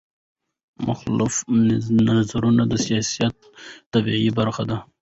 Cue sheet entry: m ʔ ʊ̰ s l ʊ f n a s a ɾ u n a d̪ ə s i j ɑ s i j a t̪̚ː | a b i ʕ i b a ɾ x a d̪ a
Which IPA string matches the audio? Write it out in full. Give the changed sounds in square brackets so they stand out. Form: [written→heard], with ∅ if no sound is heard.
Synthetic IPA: m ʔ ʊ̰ [s→x] l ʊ f n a [s→z] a ɾ u n a d̪ ə s i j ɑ s i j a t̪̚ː | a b i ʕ i b a ɾ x a d̪ a